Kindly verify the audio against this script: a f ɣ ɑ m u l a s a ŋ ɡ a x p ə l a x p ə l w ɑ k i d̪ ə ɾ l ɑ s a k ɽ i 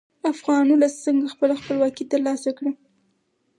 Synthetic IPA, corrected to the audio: a f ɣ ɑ n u l a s ə ŋ ɡ a x p ə l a x p ə l w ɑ k i t̪ ə ɾ l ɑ s a k ɽ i

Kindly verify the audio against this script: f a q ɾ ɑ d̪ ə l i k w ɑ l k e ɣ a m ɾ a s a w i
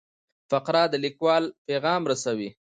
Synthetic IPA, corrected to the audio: f a q ɾ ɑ d̪ ə l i k w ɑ l p e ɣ ɑ m ɾ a s a w i

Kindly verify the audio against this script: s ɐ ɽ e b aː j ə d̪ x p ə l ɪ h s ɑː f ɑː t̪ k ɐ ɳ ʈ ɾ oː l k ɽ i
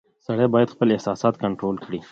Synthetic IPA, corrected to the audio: s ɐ ɽ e b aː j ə d̪ x p ə l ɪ h s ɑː s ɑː t̪ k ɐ ɳ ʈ ɾ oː l k ɽ i

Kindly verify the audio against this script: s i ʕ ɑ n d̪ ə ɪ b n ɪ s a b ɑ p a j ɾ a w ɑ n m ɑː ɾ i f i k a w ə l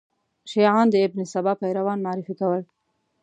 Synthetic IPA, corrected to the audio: ʃ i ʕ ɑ n d̪ ə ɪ b n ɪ s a b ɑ p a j ɾ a w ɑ n m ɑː ɾ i f i k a w ə l

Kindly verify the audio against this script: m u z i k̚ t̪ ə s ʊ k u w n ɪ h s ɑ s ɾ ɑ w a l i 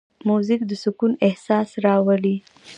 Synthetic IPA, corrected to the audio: m u z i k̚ d̪ ə s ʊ k u n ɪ h s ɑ s ɾ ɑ w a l i

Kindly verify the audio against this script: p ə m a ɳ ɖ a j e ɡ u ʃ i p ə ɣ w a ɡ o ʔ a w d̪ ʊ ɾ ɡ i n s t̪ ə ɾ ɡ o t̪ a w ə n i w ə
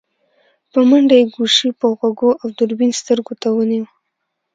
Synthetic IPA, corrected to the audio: p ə m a ɳ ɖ a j e ɡ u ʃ i p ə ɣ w a ɡ o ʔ a w d̪ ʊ ɾ b i n s t̪ ə ɾ ɡ o t̪ a w ə n i w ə

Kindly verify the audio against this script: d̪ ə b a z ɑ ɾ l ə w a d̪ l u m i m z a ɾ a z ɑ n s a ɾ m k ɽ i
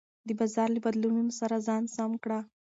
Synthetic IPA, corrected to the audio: d̪ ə b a z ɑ ɾ l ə b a d̪ l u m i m s a ɾ a z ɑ n s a m k ɽ a

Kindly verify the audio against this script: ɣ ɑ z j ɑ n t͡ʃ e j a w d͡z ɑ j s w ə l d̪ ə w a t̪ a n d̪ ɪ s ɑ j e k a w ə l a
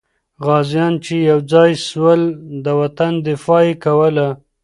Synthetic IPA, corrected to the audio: ɣ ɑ z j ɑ n t͡ʃ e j a w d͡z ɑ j s w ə l d̪ ə w a t̪ a n d̪ ɪ f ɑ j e k a w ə l a

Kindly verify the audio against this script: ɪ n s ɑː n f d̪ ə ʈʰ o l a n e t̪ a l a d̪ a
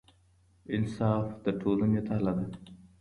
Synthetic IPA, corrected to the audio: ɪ n s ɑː f d̪ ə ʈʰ o l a n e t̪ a l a d̪ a

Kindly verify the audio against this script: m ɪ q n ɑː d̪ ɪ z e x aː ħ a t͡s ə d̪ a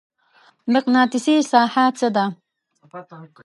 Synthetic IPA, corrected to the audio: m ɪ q n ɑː t̪ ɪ s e s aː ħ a t͡s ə d̪ a

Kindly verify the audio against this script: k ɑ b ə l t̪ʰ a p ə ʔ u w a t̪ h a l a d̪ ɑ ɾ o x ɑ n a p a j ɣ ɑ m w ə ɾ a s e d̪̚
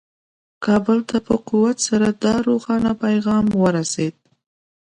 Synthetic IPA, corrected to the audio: k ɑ b ə l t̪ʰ a p ə q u w a t̪ s a ɾ a d̪ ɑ ɾ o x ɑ n a p a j ɣ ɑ m w ə ɾ a s e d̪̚

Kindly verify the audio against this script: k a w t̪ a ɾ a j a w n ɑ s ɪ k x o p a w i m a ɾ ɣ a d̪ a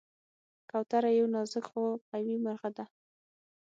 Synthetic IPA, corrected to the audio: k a w t̪ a ɾ a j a w n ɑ z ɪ k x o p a w i m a ɾ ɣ a d̪ a

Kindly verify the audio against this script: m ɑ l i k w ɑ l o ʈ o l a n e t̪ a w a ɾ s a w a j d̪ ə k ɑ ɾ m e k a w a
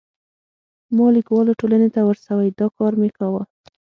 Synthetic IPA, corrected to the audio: m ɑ l i k w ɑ l o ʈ o l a n e t̪ a w ə ɾ s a w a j d̪ ɑ k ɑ ɾ m e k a w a

